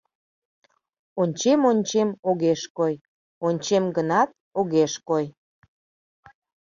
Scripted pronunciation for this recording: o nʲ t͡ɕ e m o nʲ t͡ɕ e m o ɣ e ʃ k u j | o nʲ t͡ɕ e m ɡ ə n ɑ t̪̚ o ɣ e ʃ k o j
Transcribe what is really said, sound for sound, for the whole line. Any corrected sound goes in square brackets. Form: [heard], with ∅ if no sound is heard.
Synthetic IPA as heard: o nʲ t͡ɕ e m o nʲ t͡ɕ e m o ɣ e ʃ k [o] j | o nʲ t͡ɕ e m ɡ ə n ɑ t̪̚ o ɣ e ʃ k o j